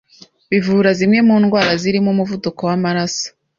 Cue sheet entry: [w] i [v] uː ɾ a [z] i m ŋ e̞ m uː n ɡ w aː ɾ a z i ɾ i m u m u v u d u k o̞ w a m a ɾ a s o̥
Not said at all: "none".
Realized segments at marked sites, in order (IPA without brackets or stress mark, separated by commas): β, v, z